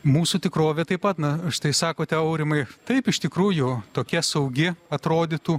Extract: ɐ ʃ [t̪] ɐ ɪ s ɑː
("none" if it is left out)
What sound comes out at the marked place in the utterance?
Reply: t̪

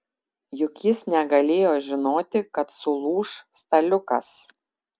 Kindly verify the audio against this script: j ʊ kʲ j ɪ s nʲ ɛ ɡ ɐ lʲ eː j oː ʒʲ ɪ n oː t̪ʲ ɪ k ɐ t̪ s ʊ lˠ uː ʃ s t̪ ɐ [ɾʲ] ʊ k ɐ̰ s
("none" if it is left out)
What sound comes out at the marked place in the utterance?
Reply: lʲ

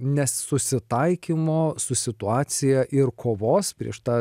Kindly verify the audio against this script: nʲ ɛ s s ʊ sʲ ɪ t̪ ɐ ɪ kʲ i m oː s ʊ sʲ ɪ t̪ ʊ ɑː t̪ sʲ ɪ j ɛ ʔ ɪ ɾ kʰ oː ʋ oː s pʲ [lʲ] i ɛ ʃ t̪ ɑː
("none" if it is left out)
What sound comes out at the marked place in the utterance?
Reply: ɾʲ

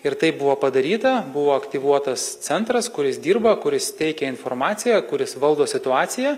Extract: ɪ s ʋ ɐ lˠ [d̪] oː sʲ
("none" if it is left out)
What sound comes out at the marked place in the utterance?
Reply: d̪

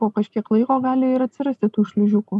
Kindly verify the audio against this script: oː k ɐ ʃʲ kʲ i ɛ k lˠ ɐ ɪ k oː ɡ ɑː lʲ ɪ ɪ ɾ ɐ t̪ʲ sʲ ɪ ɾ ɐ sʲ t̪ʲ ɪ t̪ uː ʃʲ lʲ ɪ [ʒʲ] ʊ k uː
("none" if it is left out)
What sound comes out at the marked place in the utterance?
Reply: ʒʲ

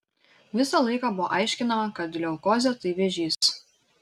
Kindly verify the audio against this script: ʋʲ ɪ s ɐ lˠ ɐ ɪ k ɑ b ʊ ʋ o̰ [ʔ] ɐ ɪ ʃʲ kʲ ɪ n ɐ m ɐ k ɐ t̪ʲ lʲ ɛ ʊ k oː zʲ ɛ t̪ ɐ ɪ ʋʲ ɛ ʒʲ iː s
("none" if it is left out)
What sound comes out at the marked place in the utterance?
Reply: ʔ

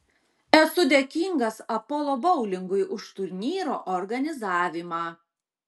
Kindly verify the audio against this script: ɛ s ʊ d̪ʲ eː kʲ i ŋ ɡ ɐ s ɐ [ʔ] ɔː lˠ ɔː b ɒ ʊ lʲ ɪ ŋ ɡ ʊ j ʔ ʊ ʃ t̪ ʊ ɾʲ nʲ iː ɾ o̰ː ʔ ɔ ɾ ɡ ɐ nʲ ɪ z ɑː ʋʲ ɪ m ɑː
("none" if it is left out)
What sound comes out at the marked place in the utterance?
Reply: p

